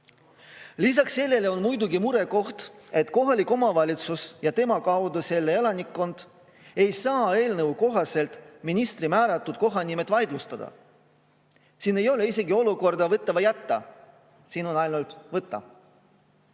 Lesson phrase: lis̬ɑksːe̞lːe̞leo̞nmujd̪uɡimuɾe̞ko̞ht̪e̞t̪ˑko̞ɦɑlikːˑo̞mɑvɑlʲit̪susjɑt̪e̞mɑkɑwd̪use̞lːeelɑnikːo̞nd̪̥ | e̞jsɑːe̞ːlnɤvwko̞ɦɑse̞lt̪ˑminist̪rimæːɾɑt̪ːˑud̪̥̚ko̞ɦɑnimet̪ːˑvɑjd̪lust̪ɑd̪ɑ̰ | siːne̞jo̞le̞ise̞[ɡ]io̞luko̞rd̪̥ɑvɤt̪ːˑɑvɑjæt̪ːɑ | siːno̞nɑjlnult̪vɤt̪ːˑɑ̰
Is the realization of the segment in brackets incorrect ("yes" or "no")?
no